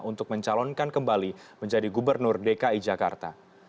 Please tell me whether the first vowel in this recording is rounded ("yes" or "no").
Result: yes